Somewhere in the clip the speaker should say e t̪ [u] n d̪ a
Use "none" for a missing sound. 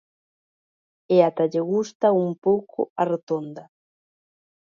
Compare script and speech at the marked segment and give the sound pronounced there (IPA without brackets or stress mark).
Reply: o